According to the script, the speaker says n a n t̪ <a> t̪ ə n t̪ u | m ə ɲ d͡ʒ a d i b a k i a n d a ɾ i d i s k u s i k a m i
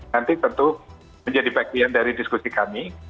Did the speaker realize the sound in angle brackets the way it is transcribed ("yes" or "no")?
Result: no